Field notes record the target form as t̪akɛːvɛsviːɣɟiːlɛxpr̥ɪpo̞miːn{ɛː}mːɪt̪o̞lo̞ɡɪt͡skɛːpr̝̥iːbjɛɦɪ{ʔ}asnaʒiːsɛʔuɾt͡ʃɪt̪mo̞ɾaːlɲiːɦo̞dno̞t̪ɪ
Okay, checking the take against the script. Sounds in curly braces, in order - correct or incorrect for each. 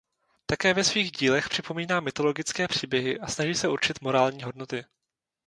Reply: incorrect: aː, correct

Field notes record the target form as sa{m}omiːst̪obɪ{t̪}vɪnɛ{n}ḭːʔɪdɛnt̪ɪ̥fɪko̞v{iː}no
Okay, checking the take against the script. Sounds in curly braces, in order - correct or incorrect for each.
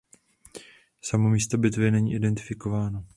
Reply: correct, correct, incorrect: ɲ, incorrect: aː

